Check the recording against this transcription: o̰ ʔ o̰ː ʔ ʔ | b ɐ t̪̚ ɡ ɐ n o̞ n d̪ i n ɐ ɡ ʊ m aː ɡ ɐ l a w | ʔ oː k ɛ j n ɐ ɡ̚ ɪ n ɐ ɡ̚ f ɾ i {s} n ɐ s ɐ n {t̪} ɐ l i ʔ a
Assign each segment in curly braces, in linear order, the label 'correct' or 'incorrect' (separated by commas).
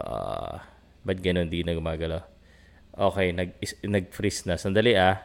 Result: correct, incorrect